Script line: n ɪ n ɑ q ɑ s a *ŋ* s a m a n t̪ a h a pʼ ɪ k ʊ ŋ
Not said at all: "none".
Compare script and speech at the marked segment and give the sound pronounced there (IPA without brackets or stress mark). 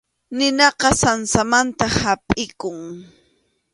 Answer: n